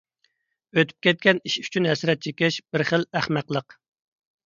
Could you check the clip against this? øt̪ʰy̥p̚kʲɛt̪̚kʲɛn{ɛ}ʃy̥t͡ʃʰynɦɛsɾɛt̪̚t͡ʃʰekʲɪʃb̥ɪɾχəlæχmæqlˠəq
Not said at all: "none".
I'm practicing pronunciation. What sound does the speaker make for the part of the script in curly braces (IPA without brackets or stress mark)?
i